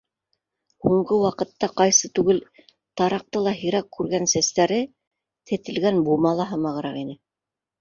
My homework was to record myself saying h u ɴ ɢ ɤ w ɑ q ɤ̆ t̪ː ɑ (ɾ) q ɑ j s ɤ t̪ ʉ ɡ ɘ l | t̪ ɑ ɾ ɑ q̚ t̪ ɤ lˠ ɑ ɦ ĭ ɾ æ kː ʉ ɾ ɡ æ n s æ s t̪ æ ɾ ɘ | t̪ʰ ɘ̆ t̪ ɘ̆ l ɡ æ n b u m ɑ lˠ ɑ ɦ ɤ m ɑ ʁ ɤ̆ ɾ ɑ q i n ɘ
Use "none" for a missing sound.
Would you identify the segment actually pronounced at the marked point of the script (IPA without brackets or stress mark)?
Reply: none